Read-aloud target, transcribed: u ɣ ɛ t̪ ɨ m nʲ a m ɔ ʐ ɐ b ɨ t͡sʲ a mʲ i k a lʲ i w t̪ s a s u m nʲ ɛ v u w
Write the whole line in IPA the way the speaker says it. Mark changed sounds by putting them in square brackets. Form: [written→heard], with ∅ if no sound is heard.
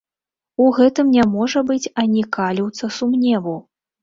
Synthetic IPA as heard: u ɣ ɛ t̪ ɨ m nʲ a m ɔ ʐ ɐ b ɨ t͡sʲ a [mʲ→nʲ] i k a lʲ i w t̪ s [a→ɐ] s u m nʲ ɛ v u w